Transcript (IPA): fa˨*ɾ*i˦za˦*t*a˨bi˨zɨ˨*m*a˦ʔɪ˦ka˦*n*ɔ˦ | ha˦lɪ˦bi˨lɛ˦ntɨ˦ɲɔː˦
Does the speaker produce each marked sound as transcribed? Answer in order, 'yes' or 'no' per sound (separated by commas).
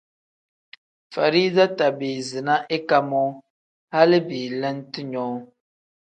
yes, yes, no, no